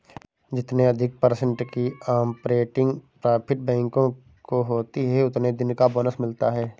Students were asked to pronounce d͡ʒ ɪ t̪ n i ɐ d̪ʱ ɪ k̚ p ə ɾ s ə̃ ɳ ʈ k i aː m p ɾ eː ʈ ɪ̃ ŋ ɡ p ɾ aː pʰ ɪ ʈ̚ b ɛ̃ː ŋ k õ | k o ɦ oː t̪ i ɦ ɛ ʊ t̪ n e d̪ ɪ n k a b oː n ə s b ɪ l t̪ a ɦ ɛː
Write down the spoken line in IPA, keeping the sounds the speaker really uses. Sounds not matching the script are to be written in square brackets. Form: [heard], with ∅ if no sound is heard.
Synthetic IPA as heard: d͡ʒ ɪ t̪ n [e] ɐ d̪ʱ ɪ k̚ p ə ɾ s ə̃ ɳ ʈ k i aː m p ɾ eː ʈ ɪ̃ ŋ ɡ p ɾ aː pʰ ɪ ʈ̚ b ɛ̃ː ŋ k õ | k o ɦ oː t̪ i ɦ ɛ ʊ t̪ n e d̪ ɪ n k a b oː n ə s [m] ɪ l t̪ a ɦ ɛː

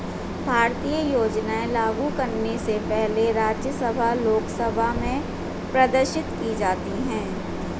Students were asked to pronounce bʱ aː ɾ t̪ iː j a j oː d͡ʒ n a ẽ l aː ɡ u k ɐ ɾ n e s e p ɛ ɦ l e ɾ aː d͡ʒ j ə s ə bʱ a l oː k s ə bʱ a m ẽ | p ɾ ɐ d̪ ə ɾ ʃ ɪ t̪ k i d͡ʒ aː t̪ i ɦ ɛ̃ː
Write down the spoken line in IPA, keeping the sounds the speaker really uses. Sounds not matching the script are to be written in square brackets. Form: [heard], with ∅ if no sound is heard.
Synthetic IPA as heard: bʱ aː ɾ t̪ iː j [ə] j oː d͡ʒ n a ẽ l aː ɡ u k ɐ ɾ n e s e p ɛ ɦ l e ɾ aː d͡ʒ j ə s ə bʱ a l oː k s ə bʱ a m ẽ | p ɾ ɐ d̪ ə ɾ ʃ ɪ t̪ k i d͡ʒ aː t̪ i ɦ ɛ̃ː

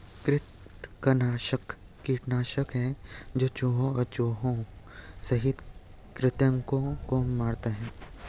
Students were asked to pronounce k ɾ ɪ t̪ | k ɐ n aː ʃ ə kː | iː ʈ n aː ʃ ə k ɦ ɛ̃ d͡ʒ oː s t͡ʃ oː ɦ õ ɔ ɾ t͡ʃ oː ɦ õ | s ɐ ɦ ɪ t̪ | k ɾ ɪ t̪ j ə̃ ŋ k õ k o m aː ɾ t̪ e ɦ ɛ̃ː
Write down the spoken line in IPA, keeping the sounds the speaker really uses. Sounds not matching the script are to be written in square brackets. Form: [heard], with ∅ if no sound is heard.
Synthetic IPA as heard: k ɾ ɪ t̪ | k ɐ n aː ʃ ə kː | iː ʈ n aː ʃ ə k ɦ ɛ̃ d͡ʒ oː [∅] t͡ʃ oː ɦ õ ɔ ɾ t͡ʃ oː ɦ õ | s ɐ ɦ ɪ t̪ | k ɾ ɪ t̪ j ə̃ ŋ k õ k o m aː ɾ t̪ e ɦ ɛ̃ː

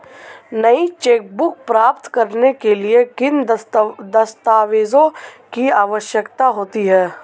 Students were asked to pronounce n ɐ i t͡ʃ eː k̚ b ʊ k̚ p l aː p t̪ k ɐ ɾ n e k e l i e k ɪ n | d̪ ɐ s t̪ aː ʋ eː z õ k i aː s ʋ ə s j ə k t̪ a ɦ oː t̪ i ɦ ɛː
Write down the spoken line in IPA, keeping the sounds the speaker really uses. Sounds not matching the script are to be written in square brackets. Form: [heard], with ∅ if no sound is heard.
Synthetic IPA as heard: n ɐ i t͡ʃ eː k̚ b ʊ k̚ p [ɾ] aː p t̪ k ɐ ɾ n e k e l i e k ɪ n | d̪ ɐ s t̪ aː ʋ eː z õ k i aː [∅] ʋ ə [ʃ] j ə k t̪ a ɦ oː t̪ i ɦ ɛː

